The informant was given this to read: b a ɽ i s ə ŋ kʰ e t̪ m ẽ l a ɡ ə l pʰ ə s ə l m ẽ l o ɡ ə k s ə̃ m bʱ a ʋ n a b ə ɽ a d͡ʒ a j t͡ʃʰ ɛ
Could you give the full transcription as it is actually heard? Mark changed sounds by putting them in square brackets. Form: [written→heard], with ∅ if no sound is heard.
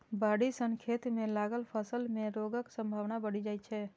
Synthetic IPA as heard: b a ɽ i s ə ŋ kʰ e t̪ m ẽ l a ɡ ə l pʰ ə s ə l m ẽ [l→ɾ] o ɡ ə k s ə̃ m bʱ a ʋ n a b ə ɽ [a→i] d͡ʒ a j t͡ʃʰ ɛ